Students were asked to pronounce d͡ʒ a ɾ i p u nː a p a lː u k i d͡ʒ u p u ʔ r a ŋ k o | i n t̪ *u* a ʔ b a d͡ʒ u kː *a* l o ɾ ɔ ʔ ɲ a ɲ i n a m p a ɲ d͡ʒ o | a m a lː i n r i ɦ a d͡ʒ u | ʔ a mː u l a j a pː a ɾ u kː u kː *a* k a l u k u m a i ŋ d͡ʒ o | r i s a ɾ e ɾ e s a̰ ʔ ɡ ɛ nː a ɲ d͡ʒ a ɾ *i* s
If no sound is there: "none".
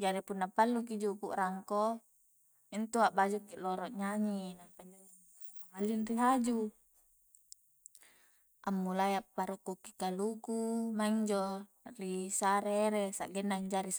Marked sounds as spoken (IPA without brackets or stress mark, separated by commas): u, i, i, i